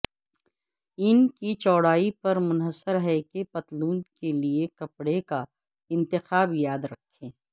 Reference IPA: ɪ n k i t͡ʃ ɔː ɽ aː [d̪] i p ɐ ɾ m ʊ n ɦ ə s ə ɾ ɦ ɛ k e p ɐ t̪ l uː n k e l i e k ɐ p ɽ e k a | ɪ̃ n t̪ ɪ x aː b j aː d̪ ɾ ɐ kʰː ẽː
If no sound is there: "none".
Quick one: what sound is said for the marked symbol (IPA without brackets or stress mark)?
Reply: none